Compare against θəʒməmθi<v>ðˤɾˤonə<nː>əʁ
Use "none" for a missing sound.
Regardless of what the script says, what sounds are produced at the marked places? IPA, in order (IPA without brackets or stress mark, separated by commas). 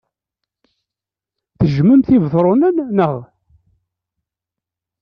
v, nː